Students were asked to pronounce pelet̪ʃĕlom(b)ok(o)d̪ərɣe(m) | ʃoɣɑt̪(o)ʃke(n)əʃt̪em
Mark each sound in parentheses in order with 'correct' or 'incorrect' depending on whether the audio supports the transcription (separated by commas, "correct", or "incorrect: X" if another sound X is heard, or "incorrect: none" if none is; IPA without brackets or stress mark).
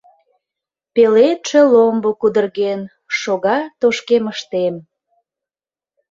correct, incorrect: u, incorrect: n, correct, incorrect: m